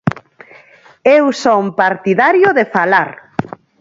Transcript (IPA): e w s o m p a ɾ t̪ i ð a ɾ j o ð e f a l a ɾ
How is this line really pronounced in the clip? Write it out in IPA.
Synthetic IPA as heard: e w s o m p a ɾ t̪ i ð a ɾ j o ð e f a l a ɾ

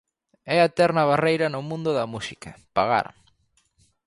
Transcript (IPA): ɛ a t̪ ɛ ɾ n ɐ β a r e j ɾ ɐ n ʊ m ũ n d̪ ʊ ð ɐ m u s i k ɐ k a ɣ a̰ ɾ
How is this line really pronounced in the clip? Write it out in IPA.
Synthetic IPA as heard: ɛ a t̪ ɛ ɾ n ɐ β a r e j ɾ ɐ n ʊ m ũ n d̪ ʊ ð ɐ m u s i k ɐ p a ɣ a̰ ɾ

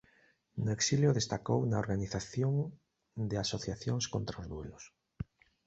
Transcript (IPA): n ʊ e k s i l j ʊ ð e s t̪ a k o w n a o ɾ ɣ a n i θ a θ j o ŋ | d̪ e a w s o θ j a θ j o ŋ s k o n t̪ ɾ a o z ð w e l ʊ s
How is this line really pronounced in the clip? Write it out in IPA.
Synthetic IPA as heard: n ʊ e k s i l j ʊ ð e s t̪ a k o w n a o ɾ ɣ a n i θ a θ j o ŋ | d̪ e a s o θ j a θ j o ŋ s k o n t̪ ɾ a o z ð w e l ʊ s

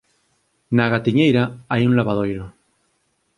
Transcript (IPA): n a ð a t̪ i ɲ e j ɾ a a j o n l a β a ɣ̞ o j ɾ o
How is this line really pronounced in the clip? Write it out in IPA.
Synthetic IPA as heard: n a ɣ a t̪ i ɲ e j ɾ a a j u n l a β a ð̞ o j ɾ o

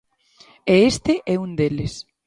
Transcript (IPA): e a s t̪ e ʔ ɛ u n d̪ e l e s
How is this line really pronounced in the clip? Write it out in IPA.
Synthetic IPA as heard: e e s t̪ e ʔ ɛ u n d̪ e l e s

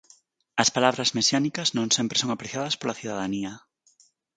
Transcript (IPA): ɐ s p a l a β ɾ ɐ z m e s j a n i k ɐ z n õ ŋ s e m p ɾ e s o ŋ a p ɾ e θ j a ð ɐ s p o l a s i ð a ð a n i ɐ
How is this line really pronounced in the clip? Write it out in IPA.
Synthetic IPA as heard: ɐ s p a l a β ɾ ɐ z m e s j a n i k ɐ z n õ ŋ s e m p ɾ e s o ŋ a p ɾ e θ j a ð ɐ s p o l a θ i ð a ð a n i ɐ

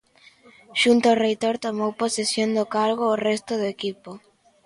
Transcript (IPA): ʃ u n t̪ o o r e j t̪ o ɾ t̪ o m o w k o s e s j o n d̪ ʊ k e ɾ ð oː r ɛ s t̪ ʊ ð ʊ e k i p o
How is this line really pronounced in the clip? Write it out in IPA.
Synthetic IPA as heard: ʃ u n t̪ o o r e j t̪ o ɾ t̪ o m o w p o s e s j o n d̪ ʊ k a ɾ ɣ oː r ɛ s t̪ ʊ ð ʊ e k i p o

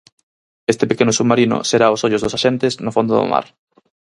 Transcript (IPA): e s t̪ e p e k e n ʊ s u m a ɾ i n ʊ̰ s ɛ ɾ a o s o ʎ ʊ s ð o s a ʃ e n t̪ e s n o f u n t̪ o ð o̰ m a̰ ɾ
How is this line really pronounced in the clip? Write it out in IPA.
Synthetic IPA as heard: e s t̪ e p e k e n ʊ s u m a ɾ i n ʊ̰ s e ɾ a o s o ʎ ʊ z ð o s a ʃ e n t̪ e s n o f o n d̪ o ð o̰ m a̰ ɾ

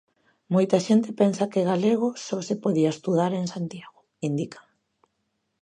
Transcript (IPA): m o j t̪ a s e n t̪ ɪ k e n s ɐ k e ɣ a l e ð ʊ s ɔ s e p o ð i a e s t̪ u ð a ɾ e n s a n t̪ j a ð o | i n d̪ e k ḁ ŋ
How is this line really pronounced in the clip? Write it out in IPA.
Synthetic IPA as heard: m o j t̪ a ʃ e n t̪ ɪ p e n s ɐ k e ɣ a l e ɣ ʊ s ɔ s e p o ð i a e s t̪ u ð a ɾ e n s a n t̪ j a ɣ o | i n d̪ i k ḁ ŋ

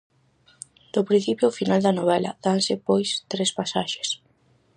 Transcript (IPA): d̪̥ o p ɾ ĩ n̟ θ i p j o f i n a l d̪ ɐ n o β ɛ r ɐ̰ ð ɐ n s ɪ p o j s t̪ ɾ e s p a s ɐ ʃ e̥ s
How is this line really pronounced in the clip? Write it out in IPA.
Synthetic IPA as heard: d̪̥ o p ɾ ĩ n̟ θ i p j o f i n a l d̪ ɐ n o β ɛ l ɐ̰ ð a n s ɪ p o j s t̪ ɾ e s p a s a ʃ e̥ s

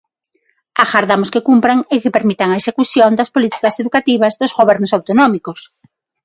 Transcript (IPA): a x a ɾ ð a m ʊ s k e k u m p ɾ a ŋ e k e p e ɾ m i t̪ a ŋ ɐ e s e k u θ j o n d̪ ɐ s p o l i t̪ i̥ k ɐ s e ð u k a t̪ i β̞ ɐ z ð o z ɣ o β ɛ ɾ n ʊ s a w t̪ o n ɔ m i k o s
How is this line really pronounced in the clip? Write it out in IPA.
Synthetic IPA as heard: a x a ɾ ð a m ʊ s k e k u m p ɾ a ŋ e k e p e ɾ m i t̪ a ŋ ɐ e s e k u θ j o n d̪ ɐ s p o l i t̪ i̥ k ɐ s e ð u k a t̪ i β̞ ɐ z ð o z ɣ o β ɛ ɾ n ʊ s a w t̪ o n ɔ m i k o s

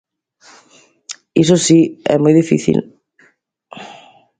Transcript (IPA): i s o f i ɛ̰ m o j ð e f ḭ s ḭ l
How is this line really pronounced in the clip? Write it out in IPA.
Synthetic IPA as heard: i s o s i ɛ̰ m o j ð i f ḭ θ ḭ l

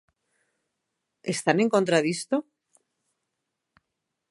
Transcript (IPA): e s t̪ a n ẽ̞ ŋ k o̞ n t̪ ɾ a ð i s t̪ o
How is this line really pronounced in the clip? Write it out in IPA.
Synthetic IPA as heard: e s t̪ a n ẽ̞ ŋ k o̞ n t̪ ɾ a ð i s t̪ o

